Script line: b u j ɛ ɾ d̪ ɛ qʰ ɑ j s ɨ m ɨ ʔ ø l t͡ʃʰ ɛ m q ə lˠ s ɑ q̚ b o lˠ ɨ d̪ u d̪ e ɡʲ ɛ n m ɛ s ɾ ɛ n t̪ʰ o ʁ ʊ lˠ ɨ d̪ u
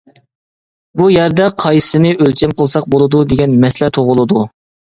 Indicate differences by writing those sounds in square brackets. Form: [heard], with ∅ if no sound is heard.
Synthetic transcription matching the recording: b u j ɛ ɾ d̪ ɛ qʰ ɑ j s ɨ [n] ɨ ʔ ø l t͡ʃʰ ɛ m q ə lˠ s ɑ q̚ b o lˠ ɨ d̪ u d̪ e ɡʲ ɛ n m ɛ s [l] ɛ [∅] t̪ʰ o ʁ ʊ lˠ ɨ d̪ u